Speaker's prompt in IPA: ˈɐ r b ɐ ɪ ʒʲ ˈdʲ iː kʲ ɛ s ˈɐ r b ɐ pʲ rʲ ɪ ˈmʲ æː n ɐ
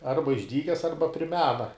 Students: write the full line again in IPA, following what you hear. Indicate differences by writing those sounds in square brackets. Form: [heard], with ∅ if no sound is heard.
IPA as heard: ˈɐ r b ɐ ɪ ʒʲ ˈdʲ iː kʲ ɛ s ˈɐ r b ɐ pʲ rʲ ɪ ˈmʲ æː n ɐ